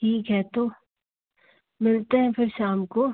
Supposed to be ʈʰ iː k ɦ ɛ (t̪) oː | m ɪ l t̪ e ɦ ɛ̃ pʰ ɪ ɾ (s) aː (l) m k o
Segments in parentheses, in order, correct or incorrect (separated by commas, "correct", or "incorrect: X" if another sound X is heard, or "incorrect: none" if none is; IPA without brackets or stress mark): correct, incorrect: ʃ, incorrect: none